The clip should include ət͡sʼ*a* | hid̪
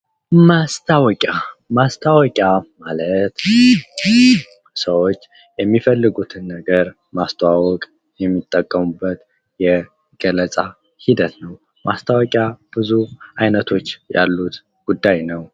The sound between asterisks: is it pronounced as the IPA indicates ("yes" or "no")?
yes